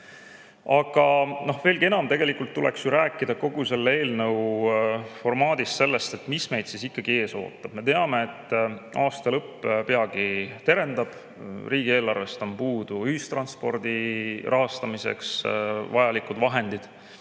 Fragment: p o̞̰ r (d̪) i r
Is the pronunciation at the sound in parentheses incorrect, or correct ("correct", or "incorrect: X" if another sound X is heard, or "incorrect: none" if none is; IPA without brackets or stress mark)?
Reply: correct